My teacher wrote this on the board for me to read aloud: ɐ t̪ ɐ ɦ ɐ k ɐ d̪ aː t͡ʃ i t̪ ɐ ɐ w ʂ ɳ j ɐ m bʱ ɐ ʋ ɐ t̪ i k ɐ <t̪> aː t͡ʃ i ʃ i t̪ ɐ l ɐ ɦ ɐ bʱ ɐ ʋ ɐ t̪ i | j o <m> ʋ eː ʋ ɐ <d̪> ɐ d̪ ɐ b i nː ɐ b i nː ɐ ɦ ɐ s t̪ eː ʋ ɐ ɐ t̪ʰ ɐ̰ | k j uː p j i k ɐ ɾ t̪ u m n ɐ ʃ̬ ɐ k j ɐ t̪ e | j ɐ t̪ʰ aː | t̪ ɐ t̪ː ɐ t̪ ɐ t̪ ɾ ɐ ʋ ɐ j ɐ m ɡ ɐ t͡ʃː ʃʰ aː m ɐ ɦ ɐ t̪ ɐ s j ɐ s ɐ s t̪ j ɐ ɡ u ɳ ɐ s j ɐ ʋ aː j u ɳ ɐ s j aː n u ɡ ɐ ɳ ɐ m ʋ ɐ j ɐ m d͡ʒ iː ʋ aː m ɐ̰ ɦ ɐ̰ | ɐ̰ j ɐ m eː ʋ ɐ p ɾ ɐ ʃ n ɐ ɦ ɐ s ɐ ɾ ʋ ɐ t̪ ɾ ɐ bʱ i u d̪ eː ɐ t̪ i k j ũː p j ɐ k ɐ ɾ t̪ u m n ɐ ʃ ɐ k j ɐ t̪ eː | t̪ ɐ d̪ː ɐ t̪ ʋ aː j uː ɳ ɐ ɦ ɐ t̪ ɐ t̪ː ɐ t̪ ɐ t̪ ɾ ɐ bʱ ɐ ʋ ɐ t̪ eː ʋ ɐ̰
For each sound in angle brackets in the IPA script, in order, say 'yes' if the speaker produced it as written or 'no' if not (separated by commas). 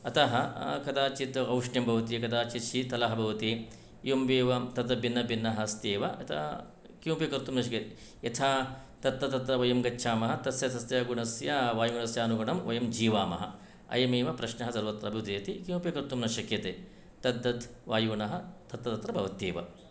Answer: no, yes, no